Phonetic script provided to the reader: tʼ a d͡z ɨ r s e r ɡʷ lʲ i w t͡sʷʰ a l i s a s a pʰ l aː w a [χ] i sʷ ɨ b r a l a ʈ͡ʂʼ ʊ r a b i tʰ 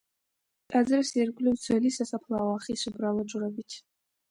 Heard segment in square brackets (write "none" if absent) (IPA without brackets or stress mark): χ